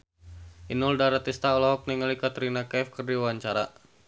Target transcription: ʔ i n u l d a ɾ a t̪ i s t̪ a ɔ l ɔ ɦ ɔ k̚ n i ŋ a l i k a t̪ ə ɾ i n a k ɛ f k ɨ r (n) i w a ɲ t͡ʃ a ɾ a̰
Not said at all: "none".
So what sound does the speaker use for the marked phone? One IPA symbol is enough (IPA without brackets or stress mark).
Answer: d